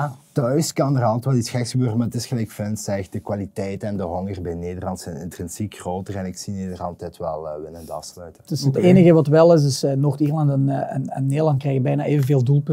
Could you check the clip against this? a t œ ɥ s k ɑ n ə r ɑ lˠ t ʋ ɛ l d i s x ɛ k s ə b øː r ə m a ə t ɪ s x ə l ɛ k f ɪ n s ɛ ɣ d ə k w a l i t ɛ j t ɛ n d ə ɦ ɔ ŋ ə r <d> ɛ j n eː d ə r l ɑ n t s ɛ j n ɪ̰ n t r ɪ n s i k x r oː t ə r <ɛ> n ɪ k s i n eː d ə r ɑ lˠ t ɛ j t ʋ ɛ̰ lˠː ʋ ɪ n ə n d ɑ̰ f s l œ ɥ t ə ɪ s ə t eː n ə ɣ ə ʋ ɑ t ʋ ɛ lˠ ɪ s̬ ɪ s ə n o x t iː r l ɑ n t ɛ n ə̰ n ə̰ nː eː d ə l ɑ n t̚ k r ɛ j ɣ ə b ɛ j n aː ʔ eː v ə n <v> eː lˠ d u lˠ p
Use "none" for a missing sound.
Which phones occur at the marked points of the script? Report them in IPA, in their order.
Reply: b, ɛ, v

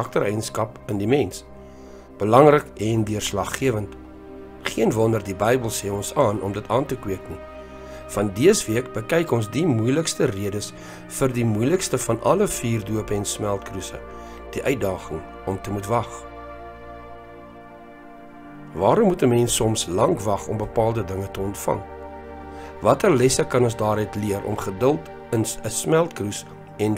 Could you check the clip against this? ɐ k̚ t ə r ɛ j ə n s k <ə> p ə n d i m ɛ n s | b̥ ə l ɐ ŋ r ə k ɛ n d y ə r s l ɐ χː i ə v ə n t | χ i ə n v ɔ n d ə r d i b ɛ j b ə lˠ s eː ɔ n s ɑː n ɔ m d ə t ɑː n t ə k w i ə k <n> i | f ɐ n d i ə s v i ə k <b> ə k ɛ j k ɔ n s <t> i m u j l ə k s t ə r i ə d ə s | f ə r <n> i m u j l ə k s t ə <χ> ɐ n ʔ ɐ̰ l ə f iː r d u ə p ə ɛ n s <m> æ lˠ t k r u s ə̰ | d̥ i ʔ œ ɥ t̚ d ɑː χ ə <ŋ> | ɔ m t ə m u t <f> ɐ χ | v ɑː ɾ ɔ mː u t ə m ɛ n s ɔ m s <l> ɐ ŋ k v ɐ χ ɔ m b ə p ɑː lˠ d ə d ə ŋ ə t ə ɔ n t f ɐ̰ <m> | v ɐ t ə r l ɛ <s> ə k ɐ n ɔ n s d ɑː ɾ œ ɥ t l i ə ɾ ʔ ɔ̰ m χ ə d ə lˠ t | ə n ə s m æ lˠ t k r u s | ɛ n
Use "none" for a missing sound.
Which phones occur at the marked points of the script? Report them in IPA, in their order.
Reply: ɐ, n, b, d, d, f, m, ŋ, v, l, ŋ, s

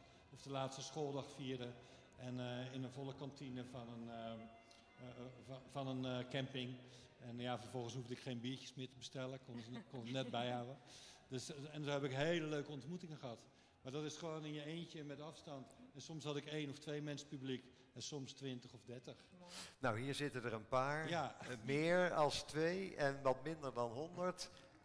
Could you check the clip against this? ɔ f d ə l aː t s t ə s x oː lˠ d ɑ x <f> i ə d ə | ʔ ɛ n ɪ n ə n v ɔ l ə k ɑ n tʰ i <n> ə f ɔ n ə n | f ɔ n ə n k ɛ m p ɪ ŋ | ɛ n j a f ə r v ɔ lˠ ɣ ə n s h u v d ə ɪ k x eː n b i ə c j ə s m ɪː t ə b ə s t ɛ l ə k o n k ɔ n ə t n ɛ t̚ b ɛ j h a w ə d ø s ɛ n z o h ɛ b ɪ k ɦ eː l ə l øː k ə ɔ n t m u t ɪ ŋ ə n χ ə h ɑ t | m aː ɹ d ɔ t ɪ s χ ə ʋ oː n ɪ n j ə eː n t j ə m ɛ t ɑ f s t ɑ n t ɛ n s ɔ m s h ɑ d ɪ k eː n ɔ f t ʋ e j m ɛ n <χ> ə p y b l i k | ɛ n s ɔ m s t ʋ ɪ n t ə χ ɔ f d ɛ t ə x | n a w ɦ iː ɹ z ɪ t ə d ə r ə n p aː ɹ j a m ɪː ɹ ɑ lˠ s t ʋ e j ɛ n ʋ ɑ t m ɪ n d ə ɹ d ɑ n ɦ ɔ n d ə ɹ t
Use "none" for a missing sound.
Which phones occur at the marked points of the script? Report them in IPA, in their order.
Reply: f, n, s

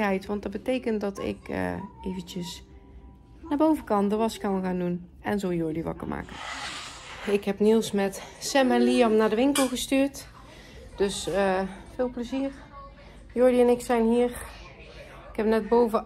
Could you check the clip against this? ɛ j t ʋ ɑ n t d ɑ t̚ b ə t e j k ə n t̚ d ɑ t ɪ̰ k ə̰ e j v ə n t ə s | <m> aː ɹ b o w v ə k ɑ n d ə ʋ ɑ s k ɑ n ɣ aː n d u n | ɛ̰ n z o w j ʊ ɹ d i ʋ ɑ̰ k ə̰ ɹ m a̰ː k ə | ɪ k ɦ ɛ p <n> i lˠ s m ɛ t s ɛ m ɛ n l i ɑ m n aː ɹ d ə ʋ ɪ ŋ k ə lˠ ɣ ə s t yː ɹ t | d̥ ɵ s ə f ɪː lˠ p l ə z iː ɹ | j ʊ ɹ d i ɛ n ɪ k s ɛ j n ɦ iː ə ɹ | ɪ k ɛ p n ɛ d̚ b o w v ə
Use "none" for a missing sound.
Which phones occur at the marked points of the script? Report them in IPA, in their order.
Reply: n, n

